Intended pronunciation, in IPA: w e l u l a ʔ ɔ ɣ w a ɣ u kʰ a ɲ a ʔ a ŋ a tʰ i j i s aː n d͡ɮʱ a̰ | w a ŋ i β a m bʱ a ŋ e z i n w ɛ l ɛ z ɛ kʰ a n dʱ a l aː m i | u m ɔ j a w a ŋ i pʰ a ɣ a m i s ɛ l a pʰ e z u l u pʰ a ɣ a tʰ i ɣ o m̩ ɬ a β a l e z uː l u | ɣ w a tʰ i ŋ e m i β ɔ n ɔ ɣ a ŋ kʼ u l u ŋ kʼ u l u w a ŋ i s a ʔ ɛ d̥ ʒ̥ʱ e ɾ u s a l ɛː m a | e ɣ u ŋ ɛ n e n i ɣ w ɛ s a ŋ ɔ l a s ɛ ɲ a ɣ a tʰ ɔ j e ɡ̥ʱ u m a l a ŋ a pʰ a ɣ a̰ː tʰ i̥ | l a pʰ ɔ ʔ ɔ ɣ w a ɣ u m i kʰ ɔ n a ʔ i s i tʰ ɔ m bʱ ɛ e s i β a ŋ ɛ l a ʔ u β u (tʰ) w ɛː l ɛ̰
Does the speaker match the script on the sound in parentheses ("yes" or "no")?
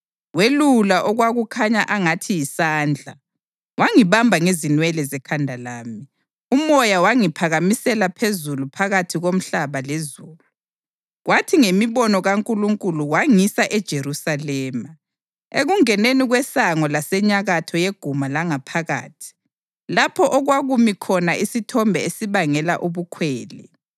no